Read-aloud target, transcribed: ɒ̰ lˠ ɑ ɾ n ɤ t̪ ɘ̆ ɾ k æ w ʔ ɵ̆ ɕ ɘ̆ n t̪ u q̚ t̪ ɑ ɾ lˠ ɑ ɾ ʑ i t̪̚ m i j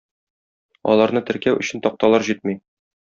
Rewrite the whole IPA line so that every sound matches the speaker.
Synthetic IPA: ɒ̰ lˠ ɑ ɾ n ɤ t̪ ɘ̆ ɾ k æ w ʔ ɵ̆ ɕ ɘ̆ n t̪ ɒ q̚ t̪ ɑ lˠ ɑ ɾ ʑ i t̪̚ m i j

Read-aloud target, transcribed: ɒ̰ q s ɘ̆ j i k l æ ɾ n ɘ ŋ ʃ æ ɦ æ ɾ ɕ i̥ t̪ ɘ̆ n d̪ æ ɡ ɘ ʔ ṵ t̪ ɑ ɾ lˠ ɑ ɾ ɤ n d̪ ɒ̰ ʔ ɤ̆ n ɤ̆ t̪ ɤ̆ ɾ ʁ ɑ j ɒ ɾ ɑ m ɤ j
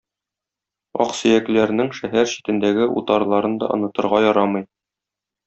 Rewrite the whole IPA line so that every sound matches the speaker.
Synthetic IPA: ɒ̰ q s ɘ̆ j æ k l æ ɾ n ɘ ŋ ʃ æ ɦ æ ɾ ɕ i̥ t̪ ɘ̆ n d̪ æ ɡ ɘ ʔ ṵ t̪ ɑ ɾ lˠ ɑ ɾ ɤ n d̪ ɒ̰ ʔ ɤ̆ n ɤ̆ t̪ ɤ̆ ɾ ʁ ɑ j ɒ ɾ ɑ m ɤ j

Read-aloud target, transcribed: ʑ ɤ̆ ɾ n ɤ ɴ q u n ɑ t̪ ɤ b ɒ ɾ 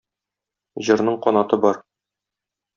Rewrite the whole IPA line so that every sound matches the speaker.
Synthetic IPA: ʑ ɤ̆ ɾ n ɤ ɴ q ɒ n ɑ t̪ ɤ b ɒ ɾ

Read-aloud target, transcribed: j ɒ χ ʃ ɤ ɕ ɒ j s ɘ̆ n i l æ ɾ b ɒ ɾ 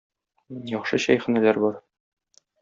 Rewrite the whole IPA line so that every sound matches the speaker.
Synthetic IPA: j ɒ χ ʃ ɤ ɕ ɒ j χ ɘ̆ n æ l æ ɾ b ɒ ɾ

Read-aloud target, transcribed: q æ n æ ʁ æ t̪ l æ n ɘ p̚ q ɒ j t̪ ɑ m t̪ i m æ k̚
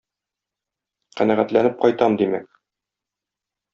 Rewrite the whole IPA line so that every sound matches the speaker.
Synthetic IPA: q æ n æ ʁ æ t̪ l æ n ɘ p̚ q ɒ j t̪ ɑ m d̪ i m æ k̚

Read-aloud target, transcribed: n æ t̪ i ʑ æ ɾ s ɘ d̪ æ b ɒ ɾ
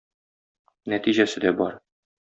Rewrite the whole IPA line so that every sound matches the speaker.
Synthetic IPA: n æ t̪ i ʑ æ s ɘ d̪ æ b ɒ ɾ

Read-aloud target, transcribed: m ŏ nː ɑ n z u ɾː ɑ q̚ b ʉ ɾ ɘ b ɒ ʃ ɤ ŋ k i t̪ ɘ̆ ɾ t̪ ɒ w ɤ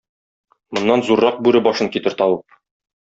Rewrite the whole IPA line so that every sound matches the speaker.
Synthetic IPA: m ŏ nː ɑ n z u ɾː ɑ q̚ b ʉ ɾ ɘ b ɒ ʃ ɤ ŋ k i t̪ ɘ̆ ɾ t̪ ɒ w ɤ

